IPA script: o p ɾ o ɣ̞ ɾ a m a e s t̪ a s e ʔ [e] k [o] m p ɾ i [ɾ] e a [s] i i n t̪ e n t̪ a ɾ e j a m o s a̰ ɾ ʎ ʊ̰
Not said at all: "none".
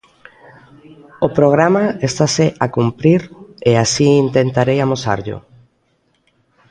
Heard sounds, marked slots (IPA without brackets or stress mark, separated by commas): a, u, ɾ, s